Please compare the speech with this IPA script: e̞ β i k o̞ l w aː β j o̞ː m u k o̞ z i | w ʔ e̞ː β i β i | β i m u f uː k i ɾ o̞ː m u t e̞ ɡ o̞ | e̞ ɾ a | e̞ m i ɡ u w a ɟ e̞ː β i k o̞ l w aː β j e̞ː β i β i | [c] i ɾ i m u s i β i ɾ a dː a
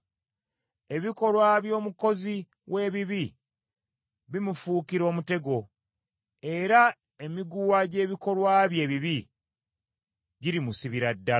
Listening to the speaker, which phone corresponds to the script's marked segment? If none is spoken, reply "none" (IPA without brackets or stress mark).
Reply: ɟ